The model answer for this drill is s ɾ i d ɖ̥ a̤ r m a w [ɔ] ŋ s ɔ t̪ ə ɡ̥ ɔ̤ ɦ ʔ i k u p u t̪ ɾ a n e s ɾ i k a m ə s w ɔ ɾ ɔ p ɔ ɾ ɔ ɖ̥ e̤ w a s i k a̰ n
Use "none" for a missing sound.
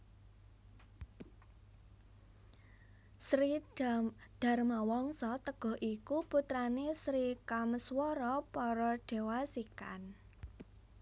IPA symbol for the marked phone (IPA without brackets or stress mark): ɔ